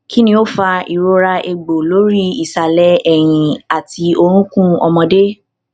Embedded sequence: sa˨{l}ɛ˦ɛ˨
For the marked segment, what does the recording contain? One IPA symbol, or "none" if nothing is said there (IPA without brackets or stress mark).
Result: l